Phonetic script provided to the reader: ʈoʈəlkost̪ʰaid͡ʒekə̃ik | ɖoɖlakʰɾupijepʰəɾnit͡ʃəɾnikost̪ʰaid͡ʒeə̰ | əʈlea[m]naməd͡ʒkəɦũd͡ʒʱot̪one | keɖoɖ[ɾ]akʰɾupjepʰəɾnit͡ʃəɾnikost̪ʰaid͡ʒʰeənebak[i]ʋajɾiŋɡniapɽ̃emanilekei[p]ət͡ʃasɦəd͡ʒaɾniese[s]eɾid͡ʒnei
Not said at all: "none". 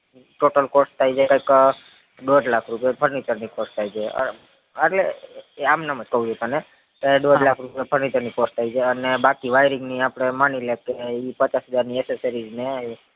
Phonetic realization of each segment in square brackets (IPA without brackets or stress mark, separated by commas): m, l, i, p, s